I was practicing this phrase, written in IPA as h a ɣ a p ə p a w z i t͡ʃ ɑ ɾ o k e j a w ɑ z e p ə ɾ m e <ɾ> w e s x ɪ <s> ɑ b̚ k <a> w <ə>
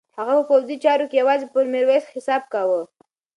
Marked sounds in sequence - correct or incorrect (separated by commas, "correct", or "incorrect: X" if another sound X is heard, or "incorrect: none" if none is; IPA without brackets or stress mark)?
correct, correct, correct, correct